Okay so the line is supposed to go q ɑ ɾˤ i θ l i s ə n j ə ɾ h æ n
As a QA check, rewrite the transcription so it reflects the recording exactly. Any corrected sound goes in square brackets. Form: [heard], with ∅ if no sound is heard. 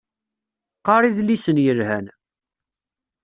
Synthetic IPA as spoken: q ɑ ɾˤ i [ð] l i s ə n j ə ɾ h æ n